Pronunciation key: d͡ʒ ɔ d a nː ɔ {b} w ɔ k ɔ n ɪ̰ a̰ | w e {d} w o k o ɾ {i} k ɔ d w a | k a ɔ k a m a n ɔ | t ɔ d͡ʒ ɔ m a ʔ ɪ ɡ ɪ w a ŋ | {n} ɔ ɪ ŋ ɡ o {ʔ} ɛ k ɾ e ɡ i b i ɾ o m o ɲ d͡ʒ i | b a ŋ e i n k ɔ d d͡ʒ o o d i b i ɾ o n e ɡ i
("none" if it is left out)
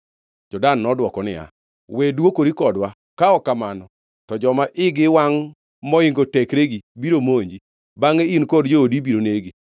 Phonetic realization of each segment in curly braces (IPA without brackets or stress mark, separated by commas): d, d, i, m, t